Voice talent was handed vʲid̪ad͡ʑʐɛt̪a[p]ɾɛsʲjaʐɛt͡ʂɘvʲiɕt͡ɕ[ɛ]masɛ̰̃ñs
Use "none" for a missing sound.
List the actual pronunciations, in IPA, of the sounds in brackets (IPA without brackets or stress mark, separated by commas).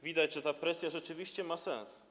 p, ɛ